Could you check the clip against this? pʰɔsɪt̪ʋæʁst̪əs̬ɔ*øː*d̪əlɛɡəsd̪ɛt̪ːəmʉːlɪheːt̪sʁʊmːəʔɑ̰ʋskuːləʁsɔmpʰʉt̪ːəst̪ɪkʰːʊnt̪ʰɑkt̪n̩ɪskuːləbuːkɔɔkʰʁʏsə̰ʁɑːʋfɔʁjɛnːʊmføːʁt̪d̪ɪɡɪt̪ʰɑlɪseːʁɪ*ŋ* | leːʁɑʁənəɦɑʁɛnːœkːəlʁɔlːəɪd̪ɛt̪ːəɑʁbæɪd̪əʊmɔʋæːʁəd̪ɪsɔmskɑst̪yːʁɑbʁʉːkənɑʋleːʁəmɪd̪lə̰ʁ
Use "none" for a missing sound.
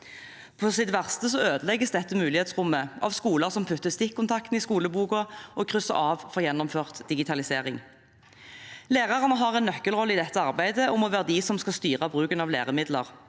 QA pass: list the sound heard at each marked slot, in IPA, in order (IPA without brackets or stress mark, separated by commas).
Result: øː, ŋ